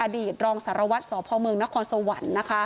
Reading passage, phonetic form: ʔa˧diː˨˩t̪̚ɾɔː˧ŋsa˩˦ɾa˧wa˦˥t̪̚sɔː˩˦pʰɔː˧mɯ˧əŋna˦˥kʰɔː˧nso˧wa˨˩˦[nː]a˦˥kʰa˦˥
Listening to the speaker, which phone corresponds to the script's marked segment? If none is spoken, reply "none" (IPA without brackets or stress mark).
nː